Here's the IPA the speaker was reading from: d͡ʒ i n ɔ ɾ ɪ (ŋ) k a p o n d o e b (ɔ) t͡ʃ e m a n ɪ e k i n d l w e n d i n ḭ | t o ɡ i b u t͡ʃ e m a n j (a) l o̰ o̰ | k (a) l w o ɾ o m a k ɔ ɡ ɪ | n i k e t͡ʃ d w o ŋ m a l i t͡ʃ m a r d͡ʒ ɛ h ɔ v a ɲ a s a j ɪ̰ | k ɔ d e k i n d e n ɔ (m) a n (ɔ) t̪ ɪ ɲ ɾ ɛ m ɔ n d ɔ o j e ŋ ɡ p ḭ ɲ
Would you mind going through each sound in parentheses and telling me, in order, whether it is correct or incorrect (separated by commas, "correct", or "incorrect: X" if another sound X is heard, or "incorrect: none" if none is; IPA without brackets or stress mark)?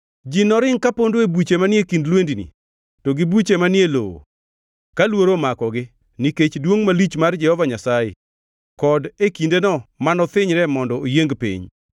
correct, incorrect: u, incorrect: e, correct, correct, correct